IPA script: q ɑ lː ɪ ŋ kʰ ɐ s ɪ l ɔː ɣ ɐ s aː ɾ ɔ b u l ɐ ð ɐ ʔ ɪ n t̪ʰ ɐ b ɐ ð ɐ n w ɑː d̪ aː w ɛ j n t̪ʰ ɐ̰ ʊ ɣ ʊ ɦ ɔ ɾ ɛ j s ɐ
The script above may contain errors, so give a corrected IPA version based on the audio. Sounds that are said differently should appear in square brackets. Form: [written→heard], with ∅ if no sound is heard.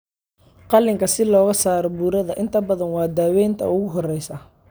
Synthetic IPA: q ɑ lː ɪ ŋ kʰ ɐ s ɪ l ɔː ɣ ɐ s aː ɾ ɔ b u [l→ɾ] ɐ ð ɐ ʔ ɪ n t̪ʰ ɐ b ɐ ð ɐ n w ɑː d̪ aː w ɛ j n t̪ʰ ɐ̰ ʊ ɣ ʊ ɦ ɔ [ɾ→r] ɛ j s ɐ